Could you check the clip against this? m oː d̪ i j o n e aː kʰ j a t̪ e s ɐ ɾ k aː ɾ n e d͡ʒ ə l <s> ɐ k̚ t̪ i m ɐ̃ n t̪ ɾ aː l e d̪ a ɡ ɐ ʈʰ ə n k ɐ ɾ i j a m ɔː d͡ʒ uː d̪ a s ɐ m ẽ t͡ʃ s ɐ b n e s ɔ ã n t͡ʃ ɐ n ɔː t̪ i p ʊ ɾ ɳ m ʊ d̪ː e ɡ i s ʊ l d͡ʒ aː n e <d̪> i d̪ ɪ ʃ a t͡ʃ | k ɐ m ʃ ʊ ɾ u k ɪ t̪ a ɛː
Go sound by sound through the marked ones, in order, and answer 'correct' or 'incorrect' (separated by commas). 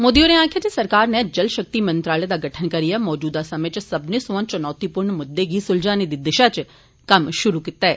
incorrect, correct